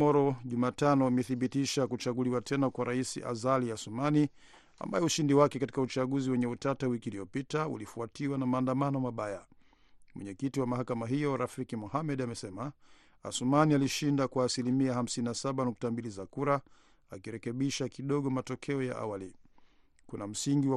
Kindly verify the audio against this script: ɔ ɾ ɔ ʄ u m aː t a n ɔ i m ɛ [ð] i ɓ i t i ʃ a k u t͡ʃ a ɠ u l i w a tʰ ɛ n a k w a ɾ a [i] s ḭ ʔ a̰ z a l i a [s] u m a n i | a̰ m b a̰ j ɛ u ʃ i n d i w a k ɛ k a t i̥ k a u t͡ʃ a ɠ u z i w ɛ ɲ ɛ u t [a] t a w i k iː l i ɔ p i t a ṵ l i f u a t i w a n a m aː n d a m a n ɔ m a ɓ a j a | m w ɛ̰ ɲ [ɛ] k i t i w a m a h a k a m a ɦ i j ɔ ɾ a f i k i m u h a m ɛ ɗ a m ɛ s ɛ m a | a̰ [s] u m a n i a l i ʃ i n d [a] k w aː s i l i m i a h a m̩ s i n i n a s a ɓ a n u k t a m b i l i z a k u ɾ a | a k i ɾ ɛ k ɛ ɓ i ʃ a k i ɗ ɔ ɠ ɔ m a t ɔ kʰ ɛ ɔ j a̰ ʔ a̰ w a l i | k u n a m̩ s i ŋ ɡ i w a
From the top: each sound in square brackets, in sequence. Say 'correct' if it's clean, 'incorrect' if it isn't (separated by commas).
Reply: incorrect, correct, correct, correct, correct, correct, correct